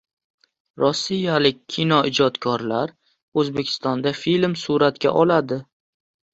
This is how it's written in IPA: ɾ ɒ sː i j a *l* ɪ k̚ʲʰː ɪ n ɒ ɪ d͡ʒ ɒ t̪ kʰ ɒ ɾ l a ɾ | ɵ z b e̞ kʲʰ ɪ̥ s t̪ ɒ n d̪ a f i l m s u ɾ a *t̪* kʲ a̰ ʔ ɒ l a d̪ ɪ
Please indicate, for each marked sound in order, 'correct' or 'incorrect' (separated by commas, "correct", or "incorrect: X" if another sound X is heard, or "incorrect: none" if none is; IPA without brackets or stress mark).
correct, correct